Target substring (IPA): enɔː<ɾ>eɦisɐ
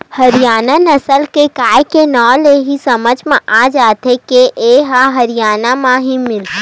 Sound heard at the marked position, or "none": l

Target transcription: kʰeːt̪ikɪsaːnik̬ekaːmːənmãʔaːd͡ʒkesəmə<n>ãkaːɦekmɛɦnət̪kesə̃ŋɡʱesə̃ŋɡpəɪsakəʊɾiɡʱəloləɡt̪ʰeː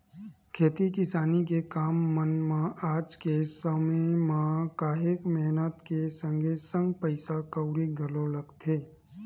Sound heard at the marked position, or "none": m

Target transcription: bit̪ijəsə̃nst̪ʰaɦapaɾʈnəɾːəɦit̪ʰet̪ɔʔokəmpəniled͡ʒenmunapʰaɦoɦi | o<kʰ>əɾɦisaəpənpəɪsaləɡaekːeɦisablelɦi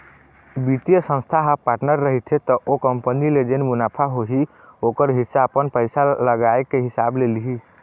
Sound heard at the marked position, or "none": k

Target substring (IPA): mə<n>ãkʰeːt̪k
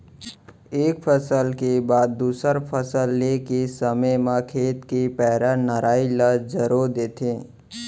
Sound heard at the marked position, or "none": m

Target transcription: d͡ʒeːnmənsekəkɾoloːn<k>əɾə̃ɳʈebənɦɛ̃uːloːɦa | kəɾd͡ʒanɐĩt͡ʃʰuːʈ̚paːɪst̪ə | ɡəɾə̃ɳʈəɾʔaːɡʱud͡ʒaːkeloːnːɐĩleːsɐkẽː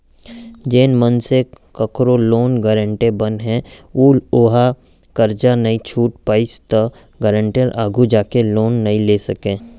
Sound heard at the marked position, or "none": ɡ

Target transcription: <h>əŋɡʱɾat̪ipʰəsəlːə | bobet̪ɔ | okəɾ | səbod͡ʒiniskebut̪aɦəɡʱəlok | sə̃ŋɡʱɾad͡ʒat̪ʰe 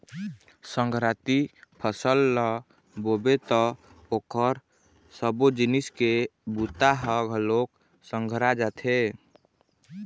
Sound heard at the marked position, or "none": s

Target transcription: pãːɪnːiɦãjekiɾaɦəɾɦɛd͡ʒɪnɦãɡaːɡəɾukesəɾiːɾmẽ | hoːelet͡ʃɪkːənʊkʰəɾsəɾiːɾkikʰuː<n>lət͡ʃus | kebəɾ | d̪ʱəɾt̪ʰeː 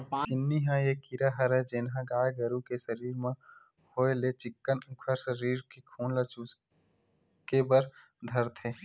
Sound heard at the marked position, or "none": n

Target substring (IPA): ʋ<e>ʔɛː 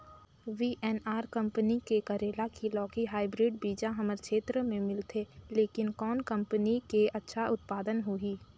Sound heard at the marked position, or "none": i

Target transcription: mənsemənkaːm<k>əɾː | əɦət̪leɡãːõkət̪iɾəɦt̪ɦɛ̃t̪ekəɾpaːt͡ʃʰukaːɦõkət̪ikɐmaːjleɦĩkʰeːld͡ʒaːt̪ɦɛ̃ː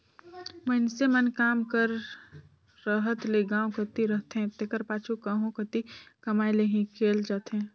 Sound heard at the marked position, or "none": k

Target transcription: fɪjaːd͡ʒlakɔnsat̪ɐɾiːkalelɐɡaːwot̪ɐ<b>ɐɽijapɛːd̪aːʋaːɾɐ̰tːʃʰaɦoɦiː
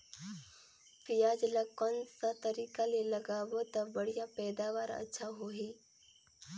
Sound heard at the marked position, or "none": b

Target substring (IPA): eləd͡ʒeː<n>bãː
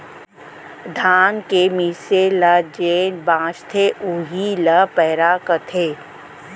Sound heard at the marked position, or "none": n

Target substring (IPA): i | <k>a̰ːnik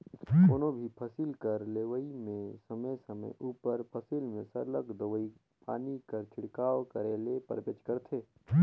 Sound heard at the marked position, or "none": p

